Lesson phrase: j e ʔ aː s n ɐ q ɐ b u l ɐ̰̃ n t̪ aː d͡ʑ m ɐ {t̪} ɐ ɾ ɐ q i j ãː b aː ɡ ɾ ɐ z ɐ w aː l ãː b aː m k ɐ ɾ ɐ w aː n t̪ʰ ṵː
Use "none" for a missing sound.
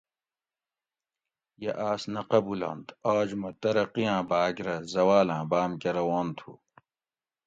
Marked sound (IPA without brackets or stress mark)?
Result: t̪